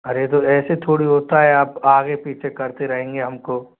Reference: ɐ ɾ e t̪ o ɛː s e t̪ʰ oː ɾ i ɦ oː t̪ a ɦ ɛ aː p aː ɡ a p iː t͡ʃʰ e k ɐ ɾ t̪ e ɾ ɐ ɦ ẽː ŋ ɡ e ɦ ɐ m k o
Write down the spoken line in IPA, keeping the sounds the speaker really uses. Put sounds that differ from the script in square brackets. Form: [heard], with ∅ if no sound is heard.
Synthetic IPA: ɐ ɾ e t̪ o ɛː s e t̪ʰ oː [ɽ] i ɦ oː t̪ a ɦ ɛ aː p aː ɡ [e] p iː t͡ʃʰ e k ɐ ɾ t̪ e ɾ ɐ ɦ ẽː ŋ ɡ e ɦ ɐ m k o

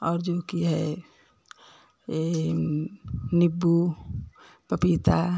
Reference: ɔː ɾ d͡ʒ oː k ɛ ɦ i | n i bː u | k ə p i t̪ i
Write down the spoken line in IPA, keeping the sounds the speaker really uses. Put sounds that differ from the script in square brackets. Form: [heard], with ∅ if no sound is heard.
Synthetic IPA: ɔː ɾ d͡ʒ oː k [i] ɦ [ɛ] | n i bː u | [p] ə p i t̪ [a]

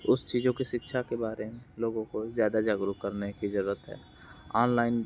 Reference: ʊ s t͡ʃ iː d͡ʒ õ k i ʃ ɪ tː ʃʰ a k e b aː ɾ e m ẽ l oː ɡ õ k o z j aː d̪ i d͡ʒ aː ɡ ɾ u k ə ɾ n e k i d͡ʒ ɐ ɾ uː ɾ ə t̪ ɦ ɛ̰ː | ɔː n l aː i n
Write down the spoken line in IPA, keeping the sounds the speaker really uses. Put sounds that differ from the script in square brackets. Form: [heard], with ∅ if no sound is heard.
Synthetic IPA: ʊ s t͡ʃ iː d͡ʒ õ k i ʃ ɪ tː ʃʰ a k e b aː ɾ e m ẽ l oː ɡ õ k o z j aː d̪ [a] d͡ʒ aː ɡ ɾ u k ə ɾ n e k i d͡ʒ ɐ ɾ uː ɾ ə t̪ ɦ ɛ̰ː | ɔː n l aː [ɪ] n

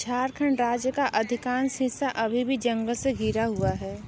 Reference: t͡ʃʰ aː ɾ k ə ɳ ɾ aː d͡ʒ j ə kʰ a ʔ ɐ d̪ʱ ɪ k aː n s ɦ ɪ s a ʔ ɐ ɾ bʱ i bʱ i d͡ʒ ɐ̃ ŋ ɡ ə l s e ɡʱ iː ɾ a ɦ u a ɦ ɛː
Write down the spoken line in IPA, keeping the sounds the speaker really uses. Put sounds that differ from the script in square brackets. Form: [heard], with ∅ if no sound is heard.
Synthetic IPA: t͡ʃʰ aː ɾ [kʰ] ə ɳ ɾ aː d͡ʒ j ə [k] a ʔ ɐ d̪ʱ ɪ k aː n s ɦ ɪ s a ʔ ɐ [∅] bʱ i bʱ i d͡ʒ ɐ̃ ŋ ɡ ə l s e ɡʱ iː ɾ a ɦ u a ɦ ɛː

